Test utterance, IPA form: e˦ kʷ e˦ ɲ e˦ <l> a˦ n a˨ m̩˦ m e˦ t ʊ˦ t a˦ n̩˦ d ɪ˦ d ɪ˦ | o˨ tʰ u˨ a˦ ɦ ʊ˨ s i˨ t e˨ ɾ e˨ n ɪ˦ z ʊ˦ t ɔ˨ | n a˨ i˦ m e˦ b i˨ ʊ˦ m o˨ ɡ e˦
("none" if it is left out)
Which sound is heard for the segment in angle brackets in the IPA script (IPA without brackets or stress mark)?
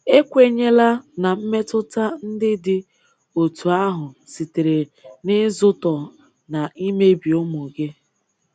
l